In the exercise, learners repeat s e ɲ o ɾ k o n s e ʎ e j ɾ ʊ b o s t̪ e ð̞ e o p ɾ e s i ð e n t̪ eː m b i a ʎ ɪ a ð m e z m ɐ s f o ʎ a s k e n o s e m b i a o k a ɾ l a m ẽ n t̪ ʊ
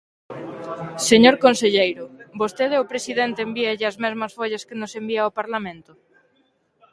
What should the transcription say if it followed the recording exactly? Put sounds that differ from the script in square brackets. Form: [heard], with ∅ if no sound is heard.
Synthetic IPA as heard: s e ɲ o ɾ k o n s e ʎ e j ɾ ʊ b o s t̪ e ð̞ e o p ɾ e s i ð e n t̪ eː m b i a ʎ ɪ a [z] m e z m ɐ s f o ʎ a s k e n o s e m b i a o [p] a ɾ l a m ẽ n t̪ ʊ

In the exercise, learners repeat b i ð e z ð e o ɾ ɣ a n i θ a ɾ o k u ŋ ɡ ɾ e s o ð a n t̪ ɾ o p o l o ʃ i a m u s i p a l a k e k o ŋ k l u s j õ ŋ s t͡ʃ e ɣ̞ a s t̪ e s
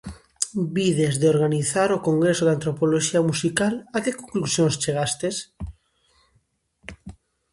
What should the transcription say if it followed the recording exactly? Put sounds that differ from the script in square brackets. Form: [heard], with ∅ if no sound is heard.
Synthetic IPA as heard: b i ð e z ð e o ɾ ɣ a n i θ a ɾ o k [o] ŋ ɡ ɾ e s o ð a n t̪ ɾ o p o l o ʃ i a m u s i [k] a l a k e k o ŋ k l u s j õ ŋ s t͡ʃ e ɣ̞ a s t̪ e s

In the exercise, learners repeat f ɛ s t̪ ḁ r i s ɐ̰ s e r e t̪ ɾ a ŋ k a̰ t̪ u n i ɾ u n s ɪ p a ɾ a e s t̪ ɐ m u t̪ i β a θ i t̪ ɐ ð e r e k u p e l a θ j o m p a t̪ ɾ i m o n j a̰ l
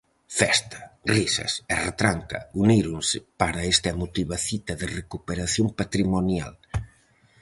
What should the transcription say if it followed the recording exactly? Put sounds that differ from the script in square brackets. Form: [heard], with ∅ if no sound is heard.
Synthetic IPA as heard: f ɛ s t̪ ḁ r i s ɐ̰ s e r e t̪ ɾ a ŋ k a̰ [∅] u n i ɾ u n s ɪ p a ɾ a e s t̪ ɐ m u t̪ i β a θ i t̪ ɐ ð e r e k u p e [ɾ] a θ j o m p a t̪ ɾ i m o n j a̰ l

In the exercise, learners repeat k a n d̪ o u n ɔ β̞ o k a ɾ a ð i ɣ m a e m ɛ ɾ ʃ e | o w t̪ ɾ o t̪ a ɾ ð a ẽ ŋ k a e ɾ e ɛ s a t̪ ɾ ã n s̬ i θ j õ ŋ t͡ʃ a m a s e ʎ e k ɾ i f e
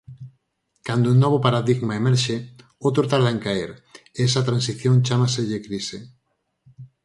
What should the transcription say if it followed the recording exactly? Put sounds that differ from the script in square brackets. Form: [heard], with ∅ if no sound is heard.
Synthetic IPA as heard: k a n d̪ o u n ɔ β̞ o [p] a ɾ a ð i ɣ m a e m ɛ ɾ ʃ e | o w t̪ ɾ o t̪ a ɾ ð a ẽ ŋ k a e ɾ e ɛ s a t̪ ɾ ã n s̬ i θ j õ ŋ t͡ʃ a m a s e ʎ e k ɾ i [s] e

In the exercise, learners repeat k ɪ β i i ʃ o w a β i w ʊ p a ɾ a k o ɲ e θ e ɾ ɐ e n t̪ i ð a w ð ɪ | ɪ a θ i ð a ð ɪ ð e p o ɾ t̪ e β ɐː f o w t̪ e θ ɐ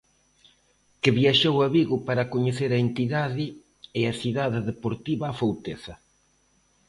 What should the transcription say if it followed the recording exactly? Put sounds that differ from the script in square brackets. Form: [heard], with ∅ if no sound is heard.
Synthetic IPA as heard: k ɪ β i [a] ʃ o w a β i [ɣ] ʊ p a ɾ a k o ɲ e θ e ɾ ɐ e n t̪ i ð a [∅] ð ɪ | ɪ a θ i ð a ð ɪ ð e p o ɾ t̪ [i] β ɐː f o w t̪ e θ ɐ

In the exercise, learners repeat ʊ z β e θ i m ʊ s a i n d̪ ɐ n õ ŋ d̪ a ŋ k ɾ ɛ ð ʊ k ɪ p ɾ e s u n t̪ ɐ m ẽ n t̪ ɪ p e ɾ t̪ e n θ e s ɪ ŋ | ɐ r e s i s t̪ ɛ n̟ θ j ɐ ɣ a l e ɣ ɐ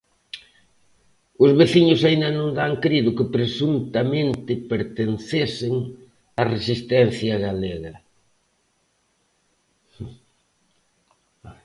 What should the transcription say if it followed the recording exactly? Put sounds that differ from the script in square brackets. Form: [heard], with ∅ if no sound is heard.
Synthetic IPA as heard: ʊ z β e θ i [ɲ] ʊ s a i n d̪ ɐ n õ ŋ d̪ a ŋ k ɾ [i] ð ʊ k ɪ p ɾ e s u n t̪ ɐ m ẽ n t̪ ɪ p e ɾ t̪ e n θ e s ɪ ŋ | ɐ r e s i s t̪ ɛ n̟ θ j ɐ ɣ a l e ɣ ɐ

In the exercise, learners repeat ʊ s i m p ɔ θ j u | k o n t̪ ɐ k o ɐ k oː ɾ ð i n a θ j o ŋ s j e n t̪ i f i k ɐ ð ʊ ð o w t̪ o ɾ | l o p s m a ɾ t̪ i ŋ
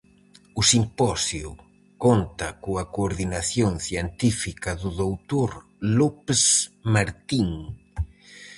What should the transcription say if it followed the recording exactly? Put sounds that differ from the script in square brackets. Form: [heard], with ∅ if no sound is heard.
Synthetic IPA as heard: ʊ s i m p ɔ [s] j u | k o n t̪ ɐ k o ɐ k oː ɾ ð i n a θ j o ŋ [θ] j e n t̪ i f i k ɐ ð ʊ ð o w t̪ o ɾ | l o p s m a ɾ t̪ i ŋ

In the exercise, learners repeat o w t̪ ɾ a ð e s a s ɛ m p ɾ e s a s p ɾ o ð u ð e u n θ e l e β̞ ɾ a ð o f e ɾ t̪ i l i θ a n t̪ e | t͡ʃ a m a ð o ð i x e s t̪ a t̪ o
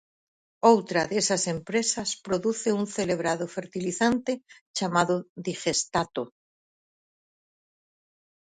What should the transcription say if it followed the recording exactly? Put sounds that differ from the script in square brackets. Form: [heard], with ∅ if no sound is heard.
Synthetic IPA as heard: o w t̪ ɾ a ð e s a s [e] m p ɾ e s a s p ɾ o ð u [θ] e u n θ e l e β̞ ɾ a ð o f e ɾ t̪ i l i θ a n t̪ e | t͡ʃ a m a ð o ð i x e s t̪ a t̪ o

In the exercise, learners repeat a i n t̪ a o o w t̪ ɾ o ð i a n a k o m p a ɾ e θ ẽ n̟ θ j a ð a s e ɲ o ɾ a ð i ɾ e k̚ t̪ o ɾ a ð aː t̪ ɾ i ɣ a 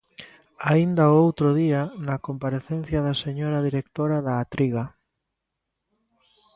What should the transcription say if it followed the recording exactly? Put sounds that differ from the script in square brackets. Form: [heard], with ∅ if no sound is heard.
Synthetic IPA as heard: a i n [d̪] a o o w t̪ ɾ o ð i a n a k o m p a ɾ e θ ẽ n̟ θ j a ð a s e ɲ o ɾ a ð i ɾ e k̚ t̪ o ɾ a ð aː t̪ ɾ i ɣ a

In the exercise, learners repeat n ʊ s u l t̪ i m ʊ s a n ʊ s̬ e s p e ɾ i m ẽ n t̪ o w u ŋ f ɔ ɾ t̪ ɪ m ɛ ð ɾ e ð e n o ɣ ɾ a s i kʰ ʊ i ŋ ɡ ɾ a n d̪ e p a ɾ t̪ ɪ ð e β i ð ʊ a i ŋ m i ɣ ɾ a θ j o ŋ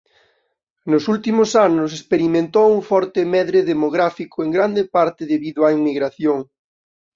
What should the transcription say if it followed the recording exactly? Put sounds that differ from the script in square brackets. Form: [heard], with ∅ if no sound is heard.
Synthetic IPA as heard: n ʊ s u l t̪ i m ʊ s a n ʊ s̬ e s p e ɾ i m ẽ n t̪ o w u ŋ f ɔ ɾ t̪ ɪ m ɛ ð ɾ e ð e [m] o ɣ ɾ a [f] i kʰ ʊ [e] ŋ ɡ ɾ a n d̪ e p a ɾ t̪ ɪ ð e β i ð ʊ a i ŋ m i ɣ ɾ a θ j o ŋ

